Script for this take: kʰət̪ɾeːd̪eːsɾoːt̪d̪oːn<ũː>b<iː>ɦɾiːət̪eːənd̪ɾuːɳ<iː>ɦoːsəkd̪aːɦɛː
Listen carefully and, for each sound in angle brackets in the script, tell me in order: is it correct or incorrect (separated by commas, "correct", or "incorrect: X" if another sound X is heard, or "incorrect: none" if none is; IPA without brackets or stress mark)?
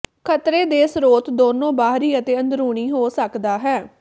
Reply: incorrect: õː, incorrect: aː, correct